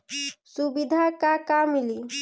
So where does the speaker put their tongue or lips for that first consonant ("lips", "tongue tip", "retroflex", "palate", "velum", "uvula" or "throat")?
tongue tip